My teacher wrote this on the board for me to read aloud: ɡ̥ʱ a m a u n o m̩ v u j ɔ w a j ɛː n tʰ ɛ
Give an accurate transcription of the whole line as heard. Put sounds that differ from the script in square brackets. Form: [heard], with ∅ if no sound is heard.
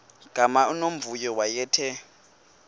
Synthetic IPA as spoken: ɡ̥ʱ a m a u n o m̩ v u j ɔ w a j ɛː [∅] tʰ ɛ